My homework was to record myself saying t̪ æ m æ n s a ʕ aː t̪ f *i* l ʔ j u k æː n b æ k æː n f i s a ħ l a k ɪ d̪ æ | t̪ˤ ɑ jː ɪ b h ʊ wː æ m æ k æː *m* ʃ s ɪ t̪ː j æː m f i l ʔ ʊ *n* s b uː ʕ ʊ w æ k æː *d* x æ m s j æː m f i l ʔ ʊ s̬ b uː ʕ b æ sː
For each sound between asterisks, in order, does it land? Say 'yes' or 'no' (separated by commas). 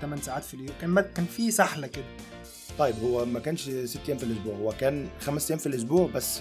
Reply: yes, no, no, no